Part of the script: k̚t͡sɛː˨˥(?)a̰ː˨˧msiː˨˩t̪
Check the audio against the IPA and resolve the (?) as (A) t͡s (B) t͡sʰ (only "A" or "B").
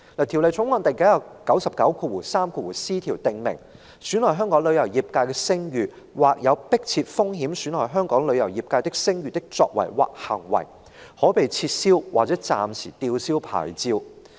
A